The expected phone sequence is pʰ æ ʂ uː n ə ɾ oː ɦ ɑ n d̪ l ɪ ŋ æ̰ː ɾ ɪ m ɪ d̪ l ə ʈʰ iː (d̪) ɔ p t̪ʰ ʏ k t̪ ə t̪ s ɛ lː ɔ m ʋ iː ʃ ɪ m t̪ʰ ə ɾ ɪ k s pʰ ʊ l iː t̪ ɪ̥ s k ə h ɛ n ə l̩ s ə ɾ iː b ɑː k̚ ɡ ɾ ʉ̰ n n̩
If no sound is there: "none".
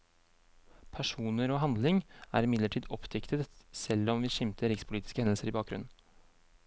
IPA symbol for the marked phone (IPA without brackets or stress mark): d̪